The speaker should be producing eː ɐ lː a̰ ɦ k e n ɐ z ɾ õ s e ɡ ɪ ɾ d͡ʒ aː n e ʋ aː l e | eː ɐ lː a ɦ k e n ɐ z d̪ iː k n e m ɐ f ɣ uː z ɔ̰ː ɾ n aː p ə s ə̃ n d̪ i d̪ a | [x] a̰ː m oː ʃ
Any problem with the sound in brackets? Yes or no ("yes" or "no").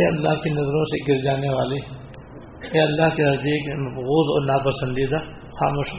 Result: no